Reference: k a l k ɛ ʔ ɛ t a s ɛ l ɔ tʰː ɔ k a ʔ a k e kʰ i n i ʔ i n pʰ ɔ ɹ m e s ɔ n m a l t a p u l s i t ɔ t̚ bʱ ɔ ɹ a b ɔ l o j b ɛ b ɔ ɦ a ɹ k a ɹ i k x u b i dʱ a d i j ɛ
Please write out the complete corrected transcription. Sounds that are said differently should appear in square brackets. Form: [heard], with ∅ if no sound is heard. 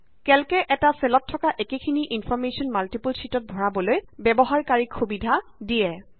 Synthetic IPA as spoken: k [ɛ] l k ɛ ʔ ɛ t a s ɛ l ɔ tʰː ɔ k a ʔ [e] k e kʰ i n i ʔ i n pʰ ɔ ɹ m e s ɔ n m a l t [i] p u l s i t ɔ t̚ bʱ ɔ ɹ a b ɔ l o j b ɛ b ɔ ɦ a ɹ k a ɹ i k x u b i dʱ a d i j ɛ

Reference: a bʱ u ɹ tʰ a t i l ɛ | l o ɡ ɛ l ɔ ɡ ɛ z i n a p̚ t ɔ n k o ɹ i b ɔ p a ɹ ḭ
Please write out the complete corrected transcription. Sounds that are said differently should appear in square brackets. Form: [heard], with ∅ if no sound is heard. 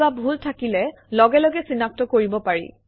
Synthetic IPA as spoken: a bʱ u [l] tʰ a [k] i l ɛ | l [ɔ] ɡ ɛ l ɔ ɡ ɛ [s] i n a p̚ t ɔ [∅] k o ɹ i b ɔ p a ɹ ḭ

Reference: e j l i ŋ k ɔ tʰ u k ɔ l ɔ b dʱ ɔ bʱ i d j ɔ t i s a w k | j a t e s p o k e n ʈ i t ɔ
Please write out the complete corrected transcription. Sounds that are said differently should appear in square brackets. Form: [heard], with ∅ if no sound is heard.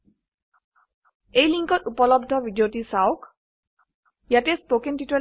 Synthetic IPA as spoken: e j l i ŋ k ɔ [t] u [p] ɔ l ɔ b dʱ ɔ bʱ i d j [o] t i s a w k | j a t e s p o k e n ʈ i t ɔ

